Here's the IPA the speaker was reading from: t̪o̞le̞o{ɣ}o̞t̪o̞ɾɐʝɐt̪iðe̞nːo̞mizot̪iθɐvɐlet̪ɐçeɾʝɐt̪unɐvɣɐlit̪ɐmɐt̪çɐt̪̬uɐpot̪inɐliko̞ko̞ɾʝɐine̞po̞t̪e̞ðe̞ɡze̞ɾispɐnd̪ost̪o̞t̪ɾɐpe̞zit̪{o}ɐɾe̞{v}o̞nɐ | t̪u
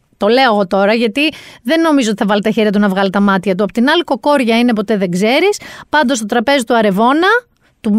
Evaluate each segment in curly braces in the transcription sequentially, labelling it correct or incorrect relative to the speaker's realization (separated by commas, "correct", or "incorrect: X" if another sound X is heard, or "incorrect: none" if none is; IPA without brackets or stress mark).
correct, incorrect: u, correct